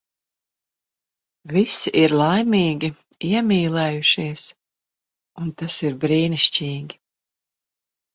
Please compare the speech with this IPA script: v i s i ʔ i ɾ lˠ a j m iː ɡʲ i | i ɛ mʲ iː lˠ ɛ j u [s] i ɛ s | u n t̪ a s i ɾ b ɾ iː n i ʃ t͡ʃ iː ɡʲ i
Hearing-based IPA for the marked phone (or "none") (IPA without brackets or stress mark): ʃ